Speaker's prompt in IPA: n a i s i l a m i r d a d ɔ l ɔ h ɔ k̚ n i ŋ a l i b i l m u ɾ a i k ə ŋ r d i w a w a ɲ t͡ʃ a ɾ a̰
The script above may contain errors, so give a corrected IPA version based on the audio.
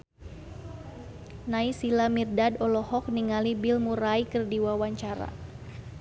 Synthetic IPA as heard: n a i s i l a m i r d a d ɔ l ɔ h ɔ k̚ n i ŋ a l i b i l m u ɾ a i k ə r d i w a w a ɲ t͡ʃ a ɾ a̰